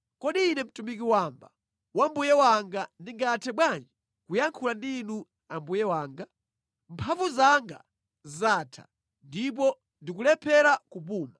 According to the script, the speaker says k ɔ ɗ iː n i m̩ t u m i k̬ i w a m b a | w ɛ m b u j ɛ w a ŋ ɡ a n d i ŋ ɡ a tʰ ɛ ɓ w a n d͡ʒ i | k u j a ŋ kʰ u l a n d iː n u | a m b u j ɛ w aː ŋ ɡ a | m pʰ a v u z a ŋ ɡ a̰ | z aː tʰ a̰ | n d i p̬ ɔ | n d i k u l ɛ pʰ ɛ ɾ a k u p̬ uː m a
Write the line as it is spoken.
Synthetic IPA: k ɔ ɗ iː n ɛ m̩ t u m i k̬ i w a m b a | w a m b u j ɛ w a ŋ ɡ a n d i ŋ ɡ a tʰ ɛ ɓ w a n d͡ʒ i | k u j a ŋ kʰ u l a n d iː n u | a m b u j ɛ w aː ŋ ɡ a | m pʰ a v u z a ŋ ɡ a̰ | z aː tʰ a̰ | n d i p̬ ɔ | n d i k u l ɛ pʰ ɛ ɾ a k u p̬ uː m a

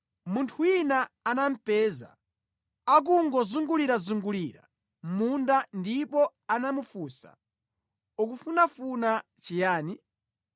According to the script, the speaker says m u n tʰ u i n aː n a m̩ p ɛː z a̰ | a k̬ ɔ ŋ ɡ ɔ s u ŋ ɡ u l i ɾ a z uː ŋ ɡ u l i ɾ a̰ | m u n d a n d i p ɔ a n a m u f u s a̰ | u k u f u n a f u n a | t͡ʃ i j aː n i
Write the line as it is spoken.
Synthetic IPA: m u n tʰ u i n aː n a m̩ p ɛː z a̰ | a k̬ u ŋ ɡ ɔ z u ŋ ɡ u l i ɾ a z u ŋ ɡ u l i ɾ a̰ | m u n d a n d i p ɔ a n a m u f u s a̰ | u k u f u n a f u n a | t͡ʃ i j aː n i

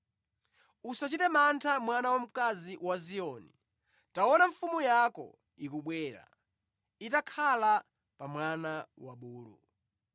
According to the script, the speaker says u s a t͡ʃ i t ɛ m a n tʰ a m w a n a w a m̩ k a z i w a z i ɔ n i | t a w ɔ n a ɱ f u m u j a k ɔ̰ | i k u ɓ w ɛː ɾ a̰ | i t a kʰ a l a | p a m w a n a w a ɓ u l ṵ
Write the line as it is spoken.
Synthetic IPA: u s a t͡ʃ i t ɛ m a n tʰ a m w a n a w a m̩ k a z i w a z i ɔ n i | t a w ɔ n a ɱ f u m u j a k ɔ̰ | i k u ɓ w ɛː ɾ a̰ | i t a kʰ a l a | p a m w a n a w a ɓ uː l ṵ

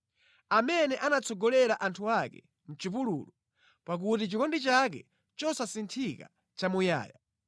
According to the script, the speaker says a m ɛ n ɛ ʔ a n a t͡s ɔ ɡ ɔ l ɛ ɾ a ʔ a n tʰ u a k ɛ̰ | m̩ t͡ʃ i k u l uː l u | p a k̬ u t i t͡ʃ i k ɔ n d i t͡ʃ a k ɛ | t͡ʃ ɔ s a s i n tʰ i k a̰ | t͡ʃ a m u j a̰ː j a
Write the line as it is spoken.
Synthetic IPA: a m ɛ n ɛ ʔ a n a t͡s ɔ ɡ ɔ l ɛ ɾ a ʔ a n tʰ u a k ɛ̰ | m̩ t͡ʃ i p u l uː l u | p a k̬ u t i t͡ʃ i k ɔ n d i t͡ʃ a k ɛ | t͡ʃ ɔ s a s i n tʰ i k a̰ | t͡ʃ a m u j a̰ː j a

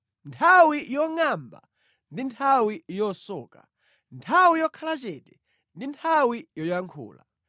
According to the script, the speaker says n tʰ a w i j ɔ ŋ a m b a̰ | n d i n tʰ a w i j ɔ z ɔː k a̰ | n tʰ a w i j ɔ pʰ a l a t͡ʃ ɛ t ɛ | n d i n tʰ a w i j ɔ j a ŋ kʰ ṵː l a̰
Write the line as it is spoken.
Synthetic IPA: n tʰ a w i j ɔ ŋ a m b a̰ | n d i n tʰ a w i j ɔ s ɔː k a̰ | n tʰ a w i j ɔ kʰ a l a t͡ʃ ɛ t ɛ | n d i n tʰ a w i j ɔ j a ŋ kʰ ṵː l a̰

